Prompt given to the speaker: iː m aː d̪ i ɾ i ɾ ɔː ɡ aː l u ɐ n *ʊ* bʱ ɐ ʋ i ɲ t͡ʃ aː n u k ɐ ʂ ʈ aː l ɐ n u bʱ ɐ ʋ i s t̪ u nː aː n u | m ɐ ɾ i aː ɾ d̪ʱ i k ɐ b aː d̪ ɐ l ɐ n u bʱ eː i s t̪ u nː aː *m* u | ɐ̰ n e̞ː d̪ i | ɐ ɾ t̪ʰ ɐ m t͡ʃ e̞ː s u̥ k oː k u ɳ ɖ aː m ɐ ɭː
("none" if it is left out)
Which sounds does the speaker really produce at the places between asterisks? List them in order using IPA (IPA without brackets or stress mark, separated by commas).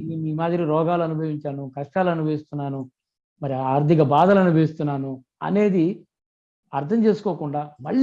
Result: u, n